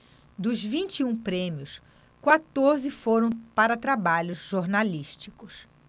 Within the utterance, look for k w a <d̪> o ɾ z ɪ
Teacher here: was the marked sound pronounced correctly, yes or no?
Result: no